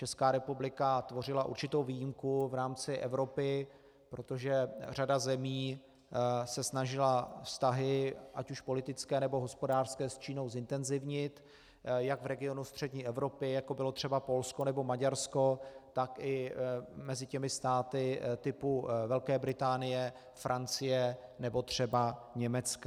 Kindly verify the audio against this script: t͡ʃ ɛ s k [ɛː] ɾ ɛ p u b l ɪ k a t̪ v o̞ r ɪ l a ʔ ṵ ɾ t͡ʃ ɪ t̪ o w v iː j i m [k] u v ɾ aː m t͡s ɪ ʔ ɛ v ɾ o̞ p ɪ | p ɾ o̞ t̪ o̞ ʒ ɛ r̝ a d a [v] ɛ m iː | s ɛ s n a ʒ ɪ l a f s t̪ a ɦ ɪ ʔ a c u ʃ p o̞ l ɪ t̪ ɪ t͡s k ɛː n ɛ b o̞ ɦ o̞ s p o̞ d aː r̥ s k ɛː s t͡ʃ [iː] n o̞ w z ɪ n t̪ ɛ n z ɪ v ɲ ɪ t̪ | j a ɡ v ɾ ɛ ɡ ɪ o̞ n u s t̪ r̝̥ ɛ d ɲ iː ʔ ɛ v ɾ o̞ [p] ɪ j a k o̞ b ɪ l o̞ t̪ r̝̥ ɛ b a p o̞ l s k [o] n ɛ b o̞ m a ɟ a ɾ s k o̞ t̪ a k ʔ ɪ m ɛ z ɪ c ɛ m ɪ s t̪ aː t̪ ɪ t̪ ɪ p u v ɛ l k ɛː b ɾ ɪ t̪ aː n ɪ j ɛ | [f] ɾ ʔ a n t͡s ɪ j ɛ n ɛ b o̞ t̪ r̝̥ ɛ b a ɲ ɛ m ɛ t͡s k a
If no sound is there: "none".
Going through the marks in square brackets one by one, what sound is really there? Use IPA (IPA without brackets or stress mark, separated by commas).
aː, k, z, iː, p, o, f